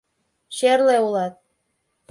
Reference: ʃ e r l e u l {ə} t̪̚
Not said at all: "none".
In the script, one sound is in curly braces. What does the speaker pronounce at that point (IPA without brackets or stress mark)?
ɑ